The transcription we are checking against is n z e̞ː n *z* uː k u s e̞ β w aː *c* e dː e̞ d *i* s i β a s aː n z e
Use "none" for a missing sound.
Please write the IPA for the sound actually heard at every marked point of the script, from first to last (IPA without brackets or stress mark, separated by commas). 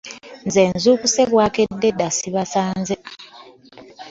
z, k, a